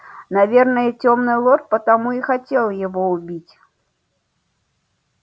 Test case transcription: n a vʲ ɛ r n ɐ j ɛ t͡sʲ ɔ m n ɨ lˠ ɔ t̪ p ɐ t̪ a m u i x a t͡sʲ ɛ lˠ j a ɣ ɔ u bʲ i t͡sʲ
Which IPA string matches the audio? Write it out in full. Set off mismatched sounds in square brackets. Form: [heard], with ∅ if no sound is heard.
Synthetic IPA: n a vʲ ɛ r n ɐ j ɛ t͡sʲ ɔ m n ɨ lˠ ɔ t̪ p ɐ t̪ a m u i x a t͡sʲ ɛ lˠ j a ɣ ɔ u bʲ i t͡sʲ

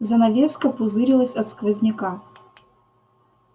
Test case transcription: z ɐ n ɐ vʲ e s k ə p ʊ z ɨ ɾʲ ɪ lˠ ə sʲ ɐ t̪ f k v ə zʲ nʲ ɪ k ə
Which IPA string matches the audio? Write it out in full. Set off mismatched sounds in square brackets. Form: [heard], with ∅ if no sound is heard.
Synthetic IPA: z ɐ n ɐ vʲ e s k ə p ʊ z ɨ ɾʲ ɪ lˠ ə sʲ ɐ t̪ [s] k v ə zʲ nʲ ɪ k [a]

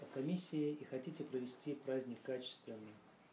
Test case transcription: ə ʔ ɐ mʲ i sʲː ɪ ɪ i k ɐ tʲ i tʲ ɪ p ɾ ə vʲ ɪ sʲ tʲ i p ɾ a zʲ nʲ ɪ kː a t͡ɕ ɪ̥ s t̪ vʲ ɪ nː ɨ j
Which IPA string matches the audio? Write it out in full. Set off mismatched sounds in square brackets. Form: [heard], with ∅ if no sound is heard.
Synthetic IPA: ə [k] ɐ mʲ i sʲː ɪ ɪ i [x] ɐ tʲ i tʲ ɪ p ɾ ə vʲ ɪ sʲ tʲ i p ɾ a zʲ nʲ ɪ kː a t͡ɕ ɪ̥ s t̪ vʲ ɪ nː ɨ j

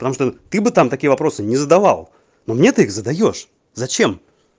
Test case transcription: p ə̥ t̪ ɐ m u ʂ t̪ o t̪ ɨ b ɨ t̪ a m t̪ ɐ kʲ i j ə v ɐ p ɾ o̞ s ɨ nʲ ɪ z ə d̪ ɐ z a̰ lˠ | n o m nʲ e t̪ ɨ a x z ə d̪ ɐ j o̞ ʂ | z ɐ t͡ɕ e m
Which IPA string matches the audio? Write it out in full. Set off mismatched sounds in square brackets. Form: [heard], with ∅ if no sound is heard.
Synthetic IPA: p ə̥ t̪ ɐ m u ʂ t̪ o t̪ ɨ b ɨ t̪ a m t̪ ɐ kʲ i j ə v ɐ p ɾ o̞ s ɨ nʲ ɪ z ə d̪ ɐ [v] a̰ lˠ | n o m nʲ e t̪ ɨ [i] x z ə d̪ ɐ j o̞ ʂ | z ɐ t͡ɕ e m

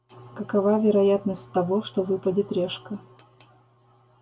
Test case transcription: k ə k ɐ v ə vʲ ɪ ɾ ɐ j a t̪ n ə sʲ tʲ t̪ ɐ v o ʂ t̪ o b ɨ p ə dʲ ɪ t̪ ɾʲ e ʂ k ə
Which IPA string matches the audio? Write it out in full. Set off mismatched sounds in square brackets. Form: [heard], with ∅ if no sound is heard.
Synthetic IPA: k ə k ɐ v [a] vʲ ɪ ɾ ɐ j a t̪ n ə sʲ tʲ t̪ ɐ v o ʂ t̪ o [v] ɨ p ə dʲ ɪ t̪ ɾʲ e ʂ k ə

